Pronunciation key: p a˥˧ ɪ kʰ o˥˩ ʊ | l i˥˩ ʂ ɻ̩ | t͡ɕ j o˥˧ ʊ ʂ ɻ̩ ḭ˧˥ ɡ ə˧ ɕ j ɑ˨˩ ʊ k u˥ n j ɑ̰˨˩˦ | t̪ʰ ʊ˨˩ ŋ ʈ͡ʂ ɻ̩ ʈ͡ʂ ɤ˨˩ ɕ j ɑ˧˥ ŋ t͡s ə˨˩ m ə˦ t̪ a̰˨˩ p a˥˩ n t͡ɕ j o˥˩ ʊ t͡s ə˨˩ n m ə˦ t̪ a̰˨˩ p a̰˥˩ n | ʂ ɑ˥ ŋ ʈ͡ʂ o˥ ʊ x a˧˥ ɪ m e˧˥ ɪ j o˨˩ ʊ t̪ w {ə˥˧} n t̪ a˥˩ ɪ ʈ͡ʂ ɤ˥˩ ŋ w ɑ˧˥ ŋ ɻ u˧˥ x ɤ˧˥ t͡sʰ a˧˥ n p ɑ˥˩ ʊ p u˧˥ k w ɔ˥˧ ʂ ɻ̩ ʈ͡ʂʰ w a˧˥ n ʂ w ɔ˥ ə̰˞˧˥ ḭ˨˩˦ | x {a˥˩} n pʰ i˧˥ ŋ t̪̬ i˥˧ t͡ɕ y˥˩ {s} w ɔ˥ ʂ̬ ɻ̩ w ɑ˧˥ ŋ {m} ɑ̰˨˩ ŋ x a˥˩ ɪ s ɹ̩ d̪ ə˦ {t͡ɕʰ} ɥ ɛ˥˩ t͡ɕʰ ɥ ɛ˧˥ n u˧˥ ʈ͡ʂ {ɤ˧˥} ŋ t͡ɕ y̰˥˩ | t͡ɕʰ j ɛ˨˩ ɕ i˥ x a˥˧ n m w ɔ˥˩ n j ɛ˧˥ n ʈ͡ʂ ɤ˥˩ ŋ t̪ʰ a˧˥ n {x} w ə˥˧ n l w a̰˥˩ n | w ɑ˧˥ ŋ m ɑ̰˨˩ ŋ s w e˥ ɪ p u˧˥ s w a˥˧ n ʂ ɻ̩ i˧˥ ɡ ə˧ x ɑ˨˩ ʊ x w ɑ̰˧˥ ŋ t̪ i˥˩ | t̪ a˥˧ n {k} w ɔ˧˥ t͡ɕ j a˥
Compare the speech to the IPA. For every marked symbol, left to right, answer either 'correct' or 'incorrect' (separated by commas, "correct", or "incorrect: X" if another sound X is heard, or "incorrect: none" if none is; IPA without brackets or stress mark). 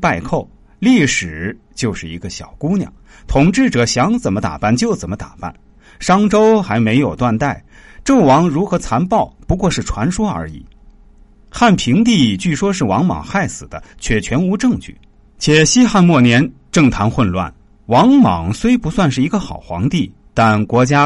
incorrect: a˥˧, correct, incorrect: ʂ, correct, correct, incorrect: ɤ˥˧, correct, correct